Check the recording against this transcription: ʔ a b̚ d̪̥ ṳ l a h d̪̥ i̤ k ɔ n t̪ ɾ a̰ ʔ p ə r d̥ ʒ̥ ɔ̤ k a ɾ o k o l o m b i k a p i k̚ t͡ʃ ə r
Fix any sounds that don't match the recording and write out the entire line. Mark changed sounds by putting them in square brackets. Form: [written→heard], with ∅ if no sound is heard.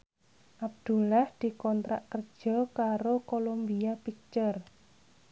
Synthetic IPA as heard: ʔ a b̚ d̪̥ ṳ l a h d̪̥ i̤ k ɔ n t̪ ɾ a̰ ʔ [p→k] ə r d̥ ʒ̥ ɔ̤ k a ɾ o k o l o m b i [k→∅] a p i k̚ t͡ʃ ə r